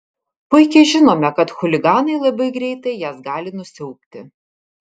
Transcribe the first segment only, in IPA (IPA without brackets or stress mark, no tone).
p